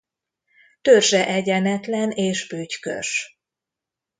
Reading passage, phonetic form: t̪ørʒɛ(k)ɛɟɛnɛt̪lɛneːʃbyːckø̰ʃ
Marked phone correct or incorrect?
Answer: incorrect